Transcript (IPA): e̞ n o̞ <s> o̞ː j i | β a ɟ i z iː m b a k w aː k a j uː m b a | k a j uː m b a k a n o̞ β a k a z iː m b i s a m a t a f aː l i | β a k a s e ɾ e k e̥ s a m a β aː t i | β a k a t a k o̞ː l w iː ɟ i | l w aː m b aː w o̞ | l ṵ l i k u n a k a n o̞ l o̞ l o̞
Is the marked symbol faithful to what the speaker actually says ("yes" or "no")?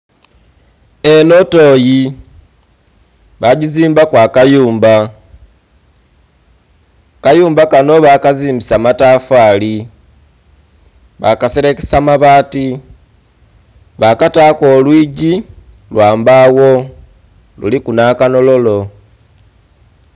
no